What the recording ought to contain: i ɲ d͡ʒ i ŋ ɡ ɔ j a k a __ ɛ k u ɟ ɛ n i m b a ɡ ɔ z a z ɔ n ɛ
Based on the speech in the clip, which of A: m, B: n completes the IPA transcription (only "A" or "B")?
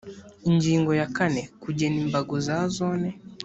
B